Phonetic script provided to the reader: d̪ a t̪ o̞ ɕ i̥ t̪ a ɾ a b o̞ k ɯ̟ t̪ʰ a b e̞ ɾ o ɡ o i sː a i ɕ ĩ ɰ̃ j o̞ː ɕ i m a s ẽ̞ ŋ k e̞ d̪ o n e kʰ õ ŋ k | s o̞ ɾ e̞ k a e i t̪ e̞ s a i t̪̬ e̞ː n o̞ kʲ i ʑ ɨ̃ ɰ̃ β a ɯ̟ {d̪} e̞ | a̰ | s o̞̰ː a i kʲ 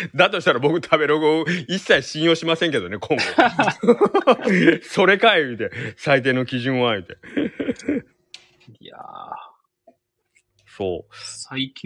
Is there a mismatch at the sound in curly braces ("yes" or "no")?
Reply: yes